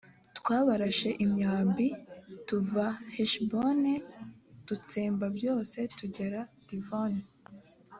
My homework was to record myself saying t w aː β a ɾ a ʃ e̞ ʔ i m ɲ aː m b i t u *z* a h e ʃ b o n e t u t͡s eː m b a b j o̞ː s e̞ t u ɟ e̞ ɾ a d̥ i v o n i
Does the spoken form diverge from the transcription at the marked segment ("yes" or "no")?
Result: yes